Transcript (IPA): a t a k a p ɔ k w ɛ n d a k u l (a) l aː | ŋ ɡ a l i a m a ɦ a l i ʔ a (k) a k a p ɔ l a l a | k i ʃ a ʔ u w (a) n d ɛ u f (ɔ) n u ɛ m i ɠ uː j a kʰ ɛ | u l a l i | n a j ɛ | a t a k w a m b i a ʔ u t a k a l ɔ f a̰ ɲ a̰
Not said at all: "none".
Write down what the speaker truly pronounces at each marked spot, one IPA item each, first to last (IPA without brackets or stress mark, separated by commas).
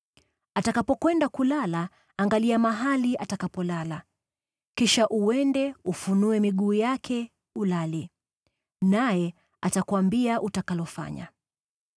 a, t, ɛ, u